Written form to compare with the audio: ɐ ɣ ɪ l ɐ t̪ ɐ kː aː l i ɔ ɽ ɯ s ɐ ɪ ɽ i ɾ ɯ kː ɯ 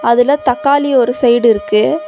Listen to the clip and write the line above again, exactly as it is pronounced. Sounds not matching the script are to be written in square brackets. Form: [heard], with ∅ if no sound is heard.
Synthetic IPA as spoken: ɐ [ð] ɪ l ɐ t̪ ɐ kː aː l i ɔ [ɾ] ɯ s ɐ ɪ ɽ [ɪ] ɾ ɯ kː ɯ